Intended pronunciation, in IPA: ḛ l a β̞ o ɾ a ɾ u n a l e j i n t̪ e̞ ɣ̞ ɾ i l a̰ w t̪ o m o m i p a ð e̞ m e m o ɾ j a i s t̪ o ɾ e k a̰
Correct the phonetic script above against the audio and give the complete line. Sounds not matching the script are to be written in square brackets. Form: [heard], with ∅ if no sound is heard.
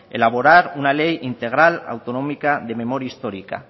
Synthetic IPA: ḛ l a β̞ o ɾ a ɾ u n a l e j i n t̪ e̞ ɣ̞ ɾ [a] l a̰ w t̪ o [n] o m i [k] a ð e̞ m e m o ɾ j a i s t̪ o ɾ [i] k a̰